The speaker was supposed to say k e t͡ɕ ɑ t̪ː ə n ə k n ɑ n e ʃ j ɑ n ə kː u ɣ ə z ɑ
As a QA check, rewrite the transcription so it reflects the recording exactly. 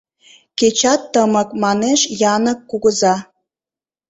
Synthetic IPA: k e t͡ɕ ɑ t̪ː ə m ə k m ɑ n e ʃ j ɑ n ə kː u ɣ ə z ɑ